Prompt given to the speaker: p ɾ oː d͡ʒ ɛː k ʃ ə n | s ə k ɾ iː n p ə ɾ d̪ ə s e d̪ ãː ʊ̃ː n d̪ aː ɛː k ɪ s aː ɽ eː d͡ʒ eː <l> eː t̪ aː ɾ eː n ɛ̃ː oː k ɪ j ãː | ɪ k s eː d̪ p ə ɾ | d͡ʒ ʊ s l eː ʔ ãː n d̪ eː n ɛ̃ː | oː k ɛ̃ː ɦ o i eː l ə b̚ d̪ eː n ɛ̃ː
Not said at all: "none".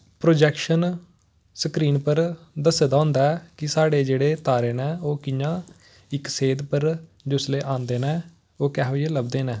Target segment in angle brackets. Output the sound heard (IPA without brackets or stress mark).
ɽ